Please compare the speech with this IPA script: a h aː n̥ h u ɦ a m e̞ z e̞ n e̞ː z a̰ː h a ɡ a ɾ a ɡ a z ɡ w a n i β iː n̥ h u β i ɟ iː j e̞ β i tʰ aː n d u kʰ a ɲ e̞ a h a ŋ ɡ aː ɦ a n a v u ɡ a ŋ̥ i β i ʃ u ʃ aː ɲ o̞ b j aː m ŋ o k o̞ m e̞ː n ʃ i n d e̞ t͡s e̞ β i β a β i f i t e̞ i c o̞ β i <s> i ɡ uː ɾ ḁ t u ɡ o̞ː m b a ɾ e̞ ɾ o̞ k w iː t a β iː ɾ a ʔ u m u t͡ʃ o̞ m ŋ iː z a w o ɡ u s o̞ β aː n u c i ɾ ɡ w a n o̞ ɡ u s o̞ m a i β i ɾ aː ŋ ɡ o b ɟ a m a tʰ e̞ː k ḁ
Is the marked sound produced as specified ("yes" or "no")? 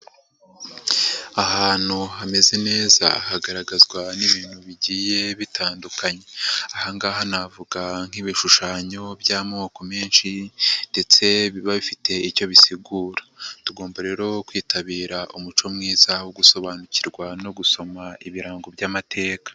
yes